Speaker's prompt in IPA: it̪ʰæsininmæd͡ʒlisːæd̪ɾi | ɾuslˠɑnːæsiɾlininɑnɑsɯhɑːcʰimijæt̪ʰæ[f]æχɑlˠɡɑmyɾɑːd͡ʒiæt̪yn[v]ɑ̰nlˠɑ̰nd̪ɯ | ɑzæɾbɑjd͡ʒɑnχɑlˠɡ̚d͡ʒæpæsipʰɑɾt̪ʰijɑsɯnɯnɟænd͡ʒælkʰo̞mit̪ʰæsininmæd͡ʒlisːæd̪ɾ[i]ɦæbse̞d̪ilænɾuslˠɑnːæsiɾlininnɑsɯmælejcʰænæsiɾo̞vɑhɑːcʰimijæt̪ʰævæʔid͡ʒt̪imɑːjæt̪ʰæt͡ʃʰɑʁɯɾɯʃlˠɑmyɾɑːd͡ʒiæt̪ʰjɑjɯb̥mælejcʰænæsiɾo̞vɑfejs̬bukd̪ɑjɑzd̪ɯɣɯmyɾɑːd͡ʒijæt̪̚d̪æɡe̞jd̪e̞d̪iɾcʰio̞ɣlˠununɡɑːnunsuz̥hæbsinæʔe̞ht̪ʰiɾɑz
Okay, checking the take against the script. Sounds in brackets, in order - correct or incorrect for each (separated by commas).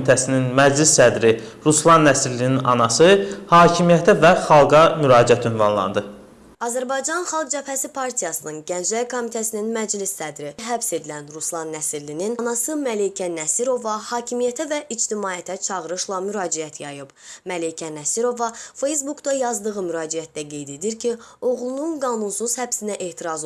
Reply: incorrect, correct, correct